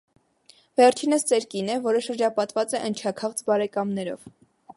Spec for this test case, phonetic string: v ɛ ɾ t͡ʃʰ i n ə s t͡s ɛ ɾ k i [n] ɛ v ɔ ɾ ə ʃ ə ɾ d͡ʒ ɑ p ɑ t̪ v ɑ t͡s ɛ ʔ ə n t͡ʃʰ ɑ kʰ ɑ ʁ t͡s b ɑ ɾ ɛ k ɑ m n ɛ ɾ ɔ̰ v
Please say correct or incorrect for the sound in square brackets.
correct